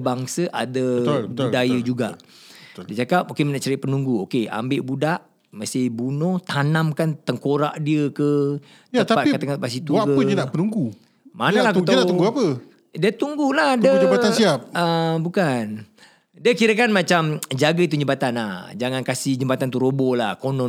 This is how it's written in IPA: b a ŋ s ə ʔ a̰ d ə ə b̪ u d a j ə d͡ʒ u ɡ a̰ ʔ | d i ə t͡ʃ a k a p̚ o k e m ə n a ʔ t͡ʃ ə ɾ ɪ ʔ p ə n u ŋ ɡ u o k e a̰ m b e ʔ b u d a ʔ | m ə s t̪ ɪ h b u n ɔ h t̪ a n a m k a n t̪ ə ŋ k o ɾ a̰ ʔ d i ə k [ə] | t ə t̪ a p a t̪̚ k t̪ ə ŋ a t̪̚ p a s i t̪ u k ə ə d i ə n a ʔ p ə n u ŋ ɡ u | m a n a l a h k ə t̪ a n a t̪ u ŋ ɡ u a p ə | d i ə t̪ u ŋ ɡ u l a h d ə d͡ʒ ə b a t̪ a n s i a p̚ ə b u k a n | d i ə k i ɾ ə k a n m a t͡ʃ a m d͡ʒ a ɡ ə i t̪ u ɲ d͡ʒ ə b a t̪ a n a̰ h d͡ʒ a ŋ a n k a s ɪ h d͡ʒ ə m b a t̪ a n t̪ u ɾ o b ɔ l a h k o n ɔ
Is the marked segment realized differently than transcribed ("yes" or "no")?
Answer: no